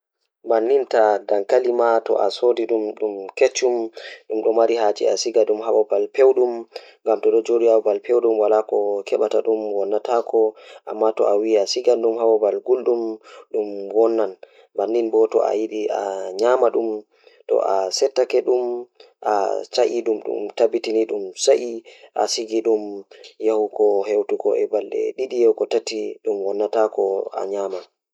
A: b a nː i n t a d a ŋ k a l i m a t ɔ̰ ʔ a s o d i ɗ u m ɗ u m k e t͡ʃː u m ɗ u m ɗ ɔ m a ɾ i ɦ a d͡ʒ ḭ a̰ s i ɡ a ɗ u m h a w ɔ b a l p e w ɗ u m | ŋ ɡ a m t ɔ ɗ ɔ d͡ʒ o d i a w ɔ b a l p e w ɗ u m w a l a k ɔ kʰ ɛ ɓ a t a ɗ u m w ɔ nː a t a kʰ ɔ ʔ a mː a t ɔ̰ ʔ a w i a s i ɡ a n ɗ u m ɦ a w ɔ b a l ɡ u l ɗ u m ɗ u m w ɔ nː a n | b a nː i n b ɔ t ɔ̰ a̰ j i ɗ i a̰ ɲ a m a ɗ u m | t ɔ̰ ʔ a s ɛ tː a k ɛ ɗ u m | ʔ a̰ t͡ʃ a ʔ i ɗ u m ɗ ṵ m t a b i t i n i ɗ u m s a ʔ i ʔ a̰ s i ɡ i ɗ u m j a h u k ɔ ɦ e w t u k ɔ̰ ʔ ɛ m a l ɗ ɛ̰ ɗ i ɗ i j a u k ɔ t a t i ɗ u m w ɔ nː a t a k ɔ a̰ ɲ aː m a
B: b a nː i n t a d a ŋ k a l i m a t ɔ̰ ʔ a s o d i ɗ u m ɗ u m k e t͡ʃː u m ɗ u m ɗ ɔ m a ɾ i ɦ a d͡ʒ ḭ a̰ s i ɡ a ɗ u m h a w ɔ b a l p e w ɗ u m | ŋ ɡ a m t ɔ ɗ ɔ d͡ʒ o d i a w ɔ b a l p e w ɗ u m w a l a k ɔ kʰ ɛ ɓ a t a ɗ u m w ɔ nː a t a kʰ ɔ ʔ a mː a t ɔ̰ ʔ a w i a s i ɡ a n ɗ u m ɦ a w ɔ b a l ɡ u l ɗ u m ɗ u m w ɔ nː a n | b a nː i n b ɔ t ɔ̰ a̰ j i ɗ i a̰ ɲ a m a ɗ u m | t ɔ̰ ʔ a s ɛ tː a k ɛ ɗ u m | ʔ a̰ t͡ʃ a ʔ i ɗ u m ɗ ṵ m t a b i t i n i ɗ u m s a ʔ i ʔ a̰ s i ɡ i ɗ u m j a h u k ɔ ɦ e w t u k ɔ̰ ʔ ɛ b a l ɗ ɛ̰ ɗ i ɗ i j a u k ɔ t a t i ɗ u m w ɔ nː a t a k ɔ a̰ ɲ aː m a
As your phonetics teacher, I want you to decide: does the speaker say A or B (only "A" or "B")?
B